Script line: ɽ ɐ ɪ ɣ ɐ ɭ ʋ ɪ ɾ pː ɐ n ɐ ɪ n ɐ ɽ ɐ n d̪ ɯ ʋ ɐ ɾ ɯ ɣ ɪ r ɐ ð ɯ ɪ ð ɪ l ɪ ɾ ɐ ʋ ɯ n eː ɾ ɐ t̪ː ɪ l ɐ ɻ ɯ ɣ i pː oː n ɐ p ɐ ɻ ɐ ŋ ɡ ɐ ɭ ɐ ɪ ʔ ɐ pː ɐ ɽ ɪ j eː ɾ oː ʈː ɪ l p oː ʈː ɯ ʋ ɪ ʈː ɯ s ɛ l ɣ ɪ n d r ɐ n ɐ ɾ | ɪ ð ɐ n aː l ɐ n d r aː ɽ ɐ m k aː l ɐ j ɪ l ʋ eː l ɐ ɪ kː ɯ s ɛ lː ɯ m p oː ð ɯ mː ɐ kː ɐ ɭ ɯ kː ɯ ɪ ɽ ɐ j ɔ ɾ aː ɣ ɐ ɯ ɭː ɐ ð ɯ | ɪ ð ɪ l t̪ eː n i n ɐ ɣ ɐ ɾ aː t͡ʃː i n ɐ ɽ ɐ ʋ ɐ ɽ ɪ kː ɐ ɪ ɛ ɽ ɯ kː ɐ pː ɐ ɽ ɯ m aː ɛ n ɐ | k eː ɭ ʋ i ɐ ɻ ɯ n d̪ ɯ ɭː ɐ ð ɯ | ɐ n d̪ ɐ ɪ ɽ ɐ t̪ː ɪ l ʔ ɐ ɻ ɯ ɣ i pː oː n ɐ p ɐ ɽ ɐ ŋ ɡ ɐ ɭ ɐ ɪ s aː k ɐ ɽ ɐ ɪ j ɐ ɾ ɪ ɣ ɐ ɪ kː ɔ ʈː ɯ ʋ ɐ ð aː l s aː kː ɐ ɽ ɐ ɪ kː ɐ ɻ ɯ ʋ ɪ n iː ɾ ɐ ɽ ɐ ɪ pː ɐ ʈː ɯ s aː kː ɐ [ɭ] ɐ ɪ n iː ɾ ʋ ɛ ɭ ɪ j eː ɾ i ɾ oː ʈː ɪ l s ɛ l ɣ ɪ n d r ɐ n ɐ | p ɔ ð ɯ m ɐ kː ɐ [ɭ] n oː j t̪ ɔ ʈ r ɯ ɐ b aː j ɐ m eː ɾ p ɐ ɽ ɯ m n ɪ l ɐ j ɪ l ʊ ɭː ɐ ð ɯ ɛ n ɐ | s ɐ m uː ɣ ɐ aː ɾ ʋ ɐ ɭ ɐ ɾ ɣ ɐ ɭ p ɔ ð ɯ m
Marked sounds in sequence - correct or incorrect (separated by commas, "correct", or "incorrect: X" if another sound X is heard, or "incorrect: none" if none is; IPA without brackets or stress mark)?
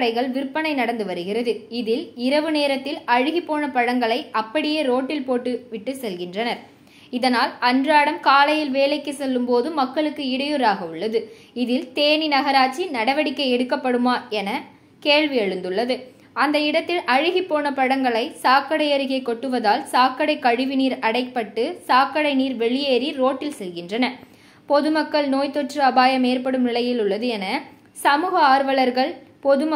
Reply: incorrect: ɽ, correct